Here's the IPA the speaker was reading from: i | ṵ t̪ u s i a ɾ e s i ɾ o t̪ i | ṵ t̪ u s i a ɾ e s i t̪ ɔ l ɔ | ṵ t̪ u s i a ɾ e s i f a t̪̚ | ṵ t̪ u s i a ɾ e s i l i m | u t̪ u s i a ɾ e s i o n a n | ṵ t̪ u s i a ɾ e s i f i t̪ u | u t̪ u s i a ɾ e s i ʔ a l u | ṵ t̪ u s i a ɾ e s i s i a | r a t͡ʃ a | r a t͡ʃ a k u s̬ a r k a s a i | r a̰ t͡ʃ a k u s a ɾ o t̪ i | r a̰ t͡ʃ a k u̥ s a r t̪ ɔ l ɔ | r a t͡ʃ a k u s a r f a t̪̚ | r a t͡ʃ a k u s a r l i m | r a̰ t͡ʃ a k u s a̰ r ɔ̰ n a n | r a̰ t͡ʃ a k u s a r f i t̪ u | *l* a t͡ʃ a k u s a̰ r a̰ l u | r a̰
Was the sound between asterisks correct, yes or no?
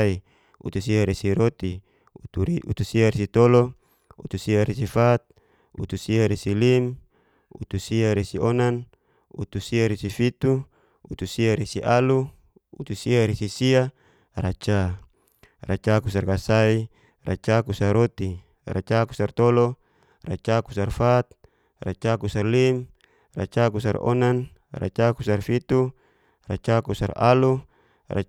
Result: no